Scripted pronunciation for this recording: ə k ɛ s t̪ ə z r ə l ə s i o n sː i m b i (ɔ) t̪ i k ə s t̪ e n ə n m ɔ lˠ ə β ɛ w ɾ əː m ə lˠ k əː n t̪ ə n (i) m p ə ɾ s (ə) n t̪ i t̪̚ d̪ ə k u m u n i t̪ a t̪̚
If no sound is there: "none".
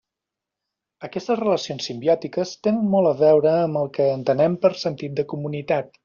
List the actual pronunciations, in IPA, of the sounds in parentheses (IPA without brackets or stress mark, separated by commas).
ɔ, ɛ, ə